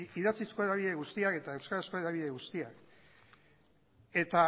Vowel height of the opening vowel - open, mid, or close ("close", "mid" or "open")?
close